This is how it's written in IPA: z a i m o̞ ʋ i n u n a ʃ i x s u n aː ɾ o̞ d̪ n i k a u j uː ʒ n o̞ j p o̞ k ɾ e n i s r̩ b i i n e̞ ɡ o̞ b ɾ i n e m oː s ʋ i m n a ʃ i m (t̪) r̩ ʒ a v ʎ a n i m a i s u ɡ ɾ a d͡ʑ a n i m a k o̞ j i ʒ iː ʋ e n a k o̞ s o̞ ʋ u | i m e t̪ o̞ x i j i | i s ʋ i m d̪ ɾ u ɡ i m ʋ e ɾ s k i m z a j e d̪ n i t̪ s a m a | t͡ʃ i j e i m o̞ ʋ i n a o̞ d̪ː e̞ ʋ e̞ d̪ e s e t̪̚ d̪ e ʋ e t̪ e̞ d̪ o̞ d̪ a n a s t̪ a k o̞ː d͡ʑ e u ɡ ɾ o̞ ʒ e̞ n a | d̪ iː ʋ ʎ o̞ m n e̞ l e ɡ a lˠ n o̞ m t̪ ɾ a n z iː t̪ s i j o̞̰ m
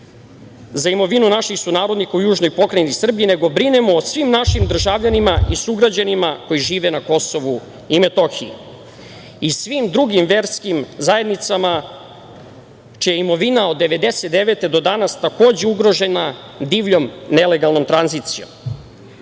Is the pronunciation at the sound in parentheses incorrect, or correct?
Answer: incorrect